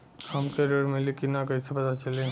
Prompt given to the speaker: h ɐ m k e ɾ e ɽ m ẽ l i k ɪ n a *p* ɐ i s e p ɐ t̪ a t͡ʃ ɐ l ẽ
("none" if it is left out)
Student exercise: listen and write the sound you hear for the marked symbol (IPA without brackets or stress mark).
k